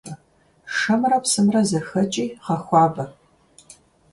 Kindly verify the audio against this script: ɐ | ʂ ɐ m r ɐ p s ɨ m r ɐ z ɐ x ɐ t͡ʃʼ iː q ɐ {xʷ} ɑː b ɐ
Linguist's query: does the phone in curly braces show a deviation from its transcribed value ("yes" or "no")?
no